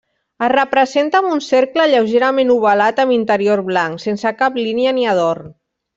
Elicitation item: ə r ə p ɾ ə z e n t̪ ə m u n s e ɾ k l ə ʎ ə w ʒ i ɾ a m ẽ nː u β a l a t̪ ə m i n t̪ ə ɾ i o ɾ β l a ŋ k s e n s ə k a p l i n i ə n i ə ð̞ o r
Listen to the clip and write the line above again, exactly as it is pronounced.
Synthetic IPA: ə r ə p ɾ ə z e n t̪ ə m u n s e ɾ k l ə ʎ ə w ʒ e ɾ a m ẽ n u β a l a t̪ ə m i n t̪ ə ɾ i o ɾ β l a ŋ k s e n s ə k a p l i n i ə n i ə ð̞ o r